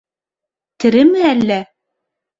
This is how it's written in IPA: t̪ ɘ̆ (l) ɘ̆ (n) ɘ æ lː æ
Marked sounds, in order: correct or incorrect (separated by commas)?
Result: incorrect, incorrect